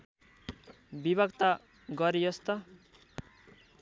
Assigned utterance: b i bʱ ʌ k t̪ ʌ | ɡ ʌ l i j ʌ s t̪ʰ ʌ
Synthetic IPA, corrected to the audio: b i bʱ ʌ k t̪ a | ɡ ʌ ɾ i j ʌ s t̪ ʌ

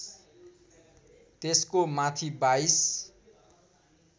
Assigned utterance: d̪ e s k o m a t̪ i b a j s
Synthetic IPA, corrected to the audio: t̪ e s k o m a t̪ʰ i b a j s

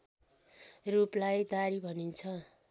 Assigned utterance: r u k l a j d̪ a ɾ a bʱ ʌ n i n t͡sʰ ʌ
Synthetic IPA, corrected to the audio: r u p l a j d̪ a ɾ i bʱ ʌ n i n t͡sʰ ʌ

